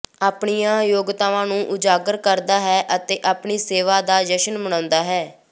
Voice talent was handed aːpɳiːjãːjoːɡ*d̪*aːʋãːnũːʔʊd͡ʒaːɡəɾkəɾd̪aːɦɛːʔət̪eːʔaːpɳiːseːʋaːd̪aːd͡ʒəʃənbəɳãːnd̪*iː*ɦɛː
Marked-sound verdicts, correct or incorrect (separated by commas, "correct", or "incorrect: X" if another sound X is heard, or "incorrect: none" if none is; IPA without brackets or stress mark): incorrect: t̪, incorrect: aː